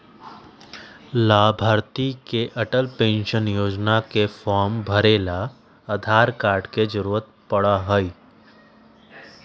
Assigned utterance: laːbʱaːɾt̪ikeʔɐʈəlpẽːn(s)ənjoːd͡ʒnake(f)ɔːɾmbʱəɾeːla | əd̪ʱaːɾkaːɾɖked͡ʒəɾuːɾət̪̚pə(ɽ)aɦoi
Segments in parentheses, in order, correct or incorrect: incorrect, correct, correct

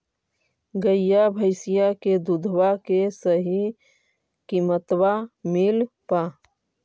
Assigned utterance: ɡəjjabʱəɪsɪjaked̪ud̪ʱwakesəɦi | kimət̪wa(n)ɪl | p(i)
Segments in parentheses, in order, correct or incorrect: incorrect, incorrect

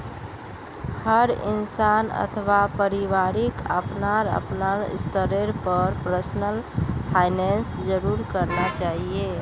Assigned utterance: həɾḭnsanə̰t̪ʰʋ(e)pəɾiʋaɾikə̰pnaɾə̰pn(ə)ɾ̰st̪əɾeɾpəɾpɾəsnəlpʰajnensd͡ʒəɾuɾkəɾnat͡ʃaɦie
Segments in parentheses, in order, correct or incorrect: incorrect, incorrect

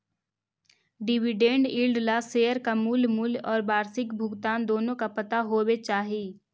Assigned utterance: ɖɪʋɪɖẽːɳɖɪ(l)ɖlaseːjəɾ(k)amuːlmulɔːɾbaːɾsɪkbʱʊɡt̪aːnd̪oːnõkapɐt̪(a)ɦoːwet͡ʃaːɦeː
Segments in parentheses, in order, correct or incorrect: correct, correct, correct

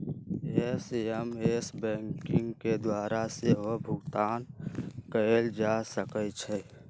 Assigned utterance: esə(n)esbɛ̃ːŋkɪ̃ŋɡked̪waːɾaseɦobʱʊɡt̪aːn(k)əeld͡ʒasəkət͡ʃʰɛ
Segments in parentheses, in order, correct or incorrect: incorrect, correct

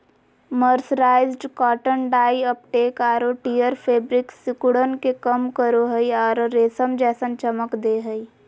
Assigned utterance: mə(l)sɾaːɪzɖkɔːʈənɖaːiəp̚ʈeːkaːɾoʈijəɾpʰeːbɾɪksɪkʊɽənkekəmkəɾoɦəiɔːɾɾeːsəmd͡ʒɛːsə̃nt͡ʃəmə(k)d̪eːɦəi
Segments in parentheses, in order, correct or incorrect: incorrect, correct

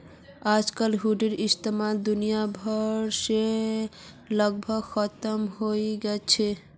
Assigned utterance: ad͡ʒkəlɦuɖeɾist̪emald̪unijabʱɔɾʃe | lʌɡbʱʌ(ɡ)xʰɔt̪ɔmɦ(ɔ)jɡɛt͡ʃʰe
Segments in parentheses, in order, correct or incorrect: correct, incorrect

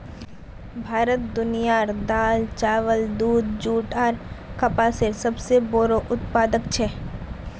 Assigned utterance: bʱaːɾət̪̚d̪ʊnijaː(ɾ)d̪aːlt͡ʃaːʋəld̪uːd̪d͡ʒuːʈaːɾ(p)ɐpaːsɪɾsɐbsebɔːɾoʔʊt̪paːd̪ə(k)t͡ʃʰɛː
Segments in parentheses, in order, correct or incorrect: correct, incorrect, correct

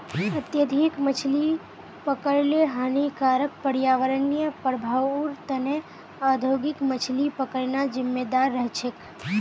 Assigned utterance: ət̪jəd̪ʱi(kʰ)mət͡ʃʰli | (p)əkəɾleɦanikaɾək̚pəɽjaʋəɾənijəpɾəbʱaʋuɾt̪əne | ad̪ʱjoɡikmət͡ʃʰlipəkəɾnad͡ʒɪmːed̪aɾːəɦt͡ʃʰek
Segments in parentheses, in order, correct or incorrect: incorrect, correct

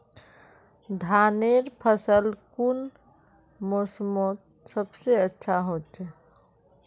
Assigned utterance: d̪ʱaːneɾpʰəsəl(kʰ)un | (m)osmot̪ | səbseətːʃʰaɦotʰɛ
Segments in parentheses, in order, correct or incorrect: incorrect, correct

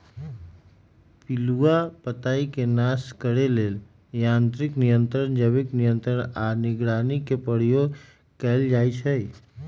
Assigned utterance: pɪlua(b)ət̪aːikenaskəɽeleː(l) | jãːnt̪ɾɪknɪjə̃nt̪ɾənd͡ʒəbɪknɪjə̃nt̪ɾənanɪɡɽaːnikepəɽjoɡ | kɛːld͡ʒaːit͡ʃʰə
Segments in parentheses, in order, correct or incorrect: incorrect, correct

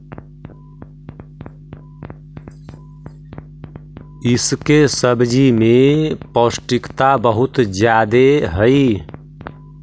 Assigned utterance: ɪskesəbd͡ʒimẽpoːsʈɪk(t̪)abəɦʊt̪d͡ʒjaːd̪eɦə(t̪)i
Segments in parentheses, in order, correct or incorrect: correct, incorrect

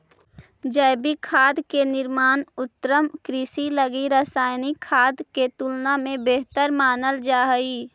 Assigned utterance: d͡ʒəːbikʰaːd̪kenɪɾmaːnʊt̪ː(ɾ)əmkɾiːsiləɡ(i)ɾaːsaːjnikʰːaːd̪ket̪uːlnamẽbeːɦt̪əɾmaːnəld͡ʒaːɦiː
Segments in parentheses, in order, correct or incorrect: correct, correct

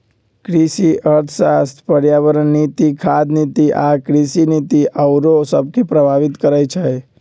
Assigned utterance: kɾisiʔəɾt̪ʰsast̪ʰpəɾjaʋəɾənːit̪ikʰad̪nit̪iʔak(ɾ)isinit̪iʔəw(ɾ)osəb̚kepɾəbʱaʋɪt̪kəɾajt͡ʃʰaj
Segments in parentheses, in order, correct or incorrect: correct, correct

